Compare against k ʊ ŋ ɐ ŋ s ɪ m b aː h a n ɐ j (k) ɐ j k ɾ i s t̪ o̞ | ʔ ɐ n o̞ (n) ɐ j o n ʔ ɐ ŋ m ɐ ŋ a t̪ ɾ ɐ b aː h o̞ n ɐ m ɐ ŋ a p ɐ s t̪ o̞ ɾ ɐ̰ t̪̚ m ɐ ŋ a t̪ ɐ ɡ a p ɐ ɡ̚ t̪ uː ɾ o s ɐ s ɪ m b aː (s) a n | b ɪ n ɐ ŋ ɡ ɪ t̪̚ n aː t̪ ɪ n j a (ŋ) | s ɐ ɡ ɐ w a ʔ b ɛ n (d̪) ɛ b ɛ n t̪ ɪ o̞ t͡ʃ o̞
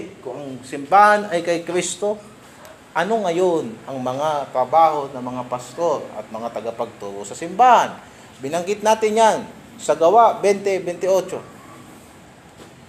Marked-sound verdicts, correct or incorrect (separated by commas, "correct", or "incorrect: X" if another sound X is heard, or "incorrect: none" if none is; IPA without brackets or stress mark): correct, incorrect: ŋ, incorrect: h, incorrect: n, incorrect: t̪